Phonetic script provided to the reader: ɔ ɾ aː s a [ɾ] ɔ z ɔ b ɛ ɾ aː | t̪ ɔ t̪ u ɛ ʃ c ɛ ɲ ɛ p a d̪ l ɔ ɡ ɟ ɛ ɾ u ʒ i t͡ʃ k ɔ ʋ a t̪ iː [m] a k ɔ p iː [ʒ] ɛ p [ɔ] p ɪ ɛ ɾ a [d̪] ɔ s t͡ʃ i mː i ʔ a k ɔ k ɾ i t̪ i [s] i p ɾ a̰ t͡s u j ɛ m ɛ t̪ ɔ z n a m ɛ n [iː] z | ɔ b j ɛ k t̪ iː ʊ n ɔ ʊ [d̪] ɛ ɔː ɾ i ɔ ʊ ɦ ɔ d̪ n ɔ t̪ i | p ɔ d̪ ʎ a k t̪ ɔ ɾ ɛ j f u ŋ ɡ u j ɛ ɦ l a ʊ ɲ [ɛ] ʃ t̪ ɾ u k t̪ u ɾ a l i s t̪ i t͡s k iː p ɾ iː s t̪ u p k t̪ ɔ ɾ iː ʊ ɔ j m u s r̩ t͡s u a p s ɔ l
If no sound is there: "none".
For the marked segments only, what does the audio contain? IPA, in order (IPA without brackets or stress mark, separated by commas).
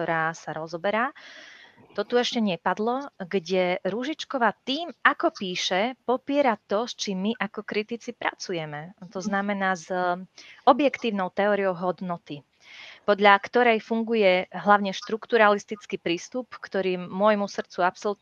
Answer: ɾ, m, ʃ, ɔ, t̪, t͡s, aː, t̪, ɛ